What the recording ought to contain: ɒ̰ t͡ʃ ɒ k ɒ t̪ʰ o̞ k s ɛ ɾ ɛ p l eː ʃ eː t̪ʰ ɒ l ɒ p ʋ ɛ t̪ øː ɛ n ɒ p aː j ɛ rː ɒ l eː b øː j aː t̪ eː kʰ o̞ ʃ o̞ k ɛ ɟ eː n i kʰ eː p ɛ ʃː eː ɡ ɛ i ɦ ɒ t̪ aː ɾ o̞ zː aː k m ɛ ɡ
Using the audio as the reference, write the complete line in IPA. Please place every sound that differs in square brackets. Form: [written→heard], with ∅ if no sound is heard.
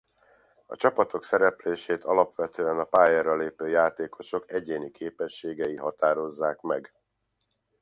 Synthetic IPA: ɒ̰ t͡ʃ ɒ [k→p] ɒ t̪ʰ o̞ k s ɛ ɾ ɛ p l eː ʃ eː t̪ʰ ɒ l ɒ p ʋ ɛ t̪ øː ɛ n ɒ p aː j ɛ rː ɒ l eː [b→p] øː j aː t̪ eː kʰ o̞ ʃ o̞ k ɛ ɟ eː n i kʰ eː p ɛ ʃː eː ɡ ɛ i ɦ ɒ t̪ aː ɾ o̞ zː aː k m ɛ ɡ